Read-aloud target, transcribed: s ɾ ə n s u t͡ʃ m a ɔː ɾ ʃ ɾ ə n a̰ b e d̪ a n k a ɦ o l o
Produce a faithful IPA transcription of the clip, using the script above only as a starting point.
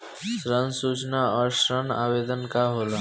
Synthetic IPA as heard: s ɾ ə n s u t͡ʃ n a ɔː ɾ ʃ ɾ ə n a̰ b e d̪ ə n k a ɦ o l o